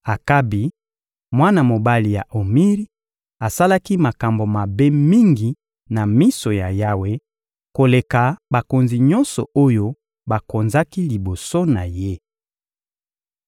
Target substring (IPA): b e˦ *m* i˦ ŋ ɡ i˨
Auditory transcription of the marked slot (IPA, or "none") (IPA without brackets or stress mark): m